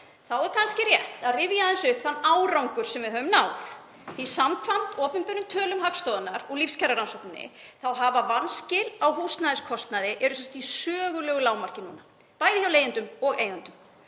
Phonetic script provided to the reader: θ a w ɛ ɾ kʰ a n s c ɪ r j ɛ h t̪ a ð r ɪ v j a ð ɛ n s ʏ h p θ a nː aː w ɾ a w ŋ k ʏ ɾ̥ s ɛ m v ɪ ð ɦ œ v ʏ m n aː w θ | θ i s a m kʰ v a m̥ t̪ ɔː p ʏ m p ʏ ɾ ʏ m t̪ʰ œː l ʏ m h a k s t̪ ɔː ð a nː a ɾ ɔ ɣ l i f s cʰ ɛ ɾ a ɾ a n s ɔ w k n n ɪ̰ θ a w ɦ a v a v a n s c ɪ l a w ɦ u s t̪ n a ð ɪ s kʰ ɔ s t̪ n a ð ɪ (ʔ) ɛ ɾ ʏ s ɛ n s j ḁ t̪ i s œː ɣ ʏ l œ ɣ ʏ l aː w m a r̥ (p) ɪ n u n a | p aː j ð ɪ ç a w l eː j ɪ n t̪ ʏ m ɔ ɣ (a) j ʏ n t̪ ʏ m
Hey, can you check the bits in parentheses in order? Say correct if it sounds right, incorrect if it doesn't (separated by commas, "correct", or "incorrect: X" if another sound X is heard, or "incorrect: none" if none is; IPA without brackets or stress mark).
correct, incorrect: c, incorrect: e